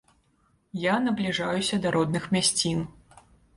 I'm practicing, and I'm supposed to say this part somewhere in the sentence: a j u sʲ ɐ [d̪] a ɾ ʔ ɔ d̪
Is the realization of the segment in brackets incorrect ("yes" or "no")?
no